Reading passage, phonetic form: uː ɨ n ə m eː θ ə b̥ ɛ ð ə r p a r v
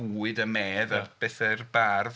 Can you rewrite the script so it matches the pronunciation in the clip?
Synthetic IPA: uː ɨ d ə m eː ð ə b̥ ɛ θ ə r b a r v